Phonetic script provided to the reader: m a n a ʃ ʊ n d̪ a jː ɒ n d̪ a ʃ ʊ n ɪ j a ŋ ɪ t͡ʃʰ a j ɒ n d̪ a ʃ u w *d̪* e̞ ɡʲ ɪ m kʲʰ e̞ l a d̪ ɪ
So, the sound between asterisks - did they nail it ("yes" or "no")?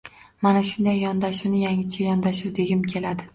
yes